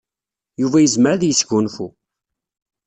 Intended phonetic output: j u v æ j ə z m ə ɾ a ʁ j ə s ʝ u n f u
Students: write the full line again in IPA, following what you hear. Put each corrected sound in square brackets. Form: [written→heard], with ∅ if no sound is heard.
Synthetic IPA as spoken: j u v æ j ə z m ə ɾ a [ʁ→ð] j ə s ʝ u n f u